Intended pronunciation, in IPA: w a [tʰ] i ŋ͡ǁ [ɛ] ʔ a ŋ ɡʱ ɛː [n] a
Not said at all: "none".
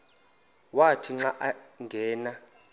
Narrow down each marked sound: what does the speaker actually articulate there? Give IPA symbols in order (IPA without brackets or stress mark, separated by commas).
tʰ, a, n